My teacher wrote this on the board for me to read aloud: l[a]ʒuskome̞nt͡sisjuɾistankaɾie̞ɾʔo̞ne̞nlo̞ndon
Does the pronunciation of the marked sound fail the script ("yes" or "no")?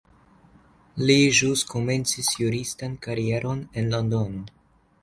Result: yes